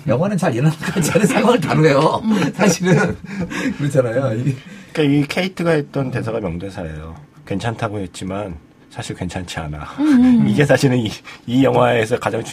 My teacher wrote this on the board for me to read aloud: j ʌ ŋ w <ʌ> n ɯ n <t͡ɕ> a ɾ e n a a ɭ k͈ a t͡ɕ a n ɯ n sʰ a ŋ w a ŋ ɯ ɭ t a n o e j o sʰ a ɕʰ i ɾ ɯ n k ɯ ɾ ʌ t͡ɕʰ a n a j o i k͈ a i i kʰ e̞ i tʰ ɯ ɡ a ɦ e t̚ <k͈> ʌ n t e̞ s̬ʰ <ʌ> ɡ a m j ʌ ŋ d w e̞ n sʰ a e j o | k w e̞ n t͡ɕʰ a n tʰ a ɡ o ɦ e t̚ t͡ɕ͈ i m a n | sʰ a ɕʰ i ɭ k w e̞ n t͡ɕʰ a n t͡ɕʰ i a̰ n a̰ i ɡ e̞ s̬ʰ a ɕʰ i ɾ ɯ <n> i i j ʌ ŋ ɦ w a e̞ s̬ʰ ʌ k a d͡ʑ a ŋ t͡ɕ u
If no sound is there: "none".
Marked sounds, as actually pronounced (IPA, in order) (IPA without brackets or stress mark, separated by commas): a, t͡ɕ, t͈, a, n